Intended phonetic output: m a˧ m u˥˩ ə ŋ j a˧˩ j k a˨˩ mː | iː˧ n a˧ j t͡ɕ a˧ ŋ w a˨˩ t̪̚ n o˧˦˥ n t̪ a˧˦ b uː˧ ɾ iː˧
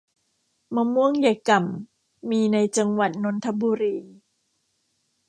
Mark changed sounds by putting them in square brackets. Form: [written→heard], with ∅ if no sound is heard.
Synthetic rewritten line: m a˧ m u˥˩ ə ŋ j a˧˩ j k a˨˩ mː | iː˧ n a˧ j t͡ɕ a˧ ŋ w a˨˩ t̪̚ n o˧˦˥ n [t̪→t̪ʰ] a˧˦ b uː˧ ɾ iː˧